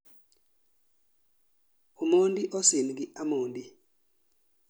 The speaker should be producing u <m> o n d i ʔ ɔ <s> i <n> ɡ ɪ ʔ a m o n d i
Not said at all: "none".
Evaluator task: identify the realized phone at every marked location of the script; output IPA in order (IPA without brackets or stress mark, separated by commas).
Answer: m, s, n